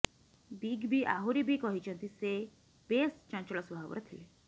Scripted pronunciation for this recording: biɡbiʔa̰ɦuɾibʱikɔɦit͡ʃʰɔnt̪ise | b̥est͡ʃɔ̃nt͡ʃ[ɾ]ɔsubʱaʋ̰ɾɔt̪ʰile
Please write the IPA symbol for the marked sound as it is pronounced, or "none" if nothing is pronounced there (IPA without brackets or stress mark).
ɭ